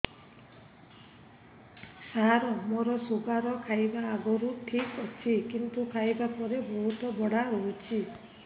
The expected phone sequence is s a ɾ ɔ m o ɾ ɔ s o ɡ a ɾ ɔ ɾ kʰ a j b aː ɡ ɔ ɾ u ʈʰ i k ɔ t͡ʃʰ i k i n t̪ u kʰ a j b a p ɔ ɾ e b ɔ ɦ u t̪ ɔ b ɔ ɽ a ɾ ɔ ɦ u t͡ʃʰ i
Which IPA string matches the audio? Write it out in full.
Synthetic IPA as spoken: s a ɾ ɔ m o ɾ ɔ s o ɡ a ɾ ɔ kʰ a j b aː ɡ ɔ ɾ u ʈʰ i k ɔ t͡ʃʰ i k i n t̪ u kʰ a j b a p ɔ ɾ e b ɔ ɦ u t̪ ɔ b ɔ ɽ a ɾ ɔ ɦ u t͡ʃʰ i